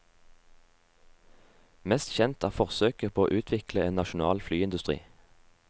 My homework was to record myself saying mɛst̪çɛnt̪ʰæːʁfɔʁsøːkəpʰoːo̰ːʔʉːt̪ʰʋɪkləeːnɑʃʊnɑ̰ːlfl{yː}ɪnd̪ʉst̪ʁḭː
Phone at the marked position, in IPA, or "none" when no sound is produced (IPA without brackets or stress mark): yː